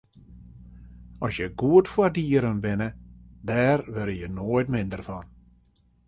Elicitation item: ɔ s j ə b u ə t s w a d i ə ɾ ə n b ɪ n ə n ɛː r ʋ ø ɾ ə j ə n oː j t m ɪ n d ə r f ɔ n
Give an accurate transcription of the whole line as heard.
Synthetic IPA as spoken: ɔ s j ə ɡ u ə t f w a d i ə ɾ ə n b ɪ n ə d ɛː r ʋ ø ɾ ə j ə n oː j t m ɪ n d ə r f ɔ n